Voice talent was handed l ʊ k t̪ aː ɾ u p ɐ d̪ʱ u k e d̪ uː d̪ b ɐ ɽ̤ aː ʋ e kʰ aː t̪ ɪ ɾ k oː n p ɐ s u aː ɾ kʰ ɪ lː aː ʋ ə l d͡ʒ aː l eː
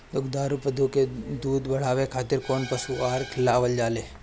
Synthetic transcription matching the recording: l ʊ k d̪ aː ɾ u p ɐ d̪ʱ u k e d̪ uː d̪ b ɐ ɽ̤ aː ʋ e kʰ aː t̪ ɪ ɾ k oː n p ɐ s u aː ɾ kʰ ɪ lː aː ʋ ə l d͡ʒ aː l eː